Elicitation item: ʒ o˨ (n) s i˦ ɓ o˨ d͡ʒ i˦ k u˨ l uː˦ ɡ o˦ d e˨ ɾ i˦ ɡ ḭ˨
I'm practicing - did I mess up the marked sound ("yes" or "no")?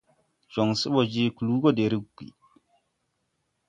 yes